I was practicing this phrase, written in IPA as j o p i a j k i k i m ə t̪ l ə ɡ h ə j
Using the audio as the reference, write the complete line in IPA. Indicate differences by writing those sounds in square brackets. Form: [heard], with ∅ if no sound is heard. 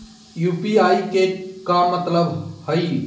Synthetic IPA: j [u] p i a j k [e] k [a] m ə t̪ l ə [b] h ə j

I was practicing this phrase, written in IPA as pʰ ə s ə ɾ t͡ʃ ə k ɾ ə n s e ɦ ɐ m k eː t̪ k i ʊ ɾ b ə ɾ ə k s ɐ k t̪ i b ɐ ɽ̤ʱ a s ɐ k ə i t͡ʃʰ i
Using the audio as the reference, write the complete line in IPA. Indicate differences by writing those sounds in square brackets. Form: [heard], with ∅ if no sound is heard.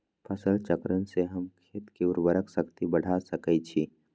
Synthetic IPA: pʰ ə s ə [l] t͡ʃ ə k ɾ ə n s e ɦ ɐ m [kʰ] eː t̪ k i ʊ ɾ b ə ɾ ə k s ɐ k t̪ i b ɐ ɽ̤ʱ a s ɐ k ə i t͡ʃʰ i

